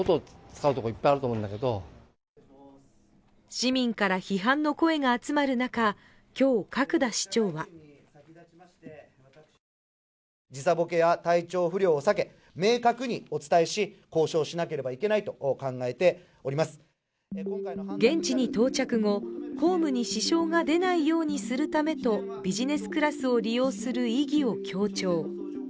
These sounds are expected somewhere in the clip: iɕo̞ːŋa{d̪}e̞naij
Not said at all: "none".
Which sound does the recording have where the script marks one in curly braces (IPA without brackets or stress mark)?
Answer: d̪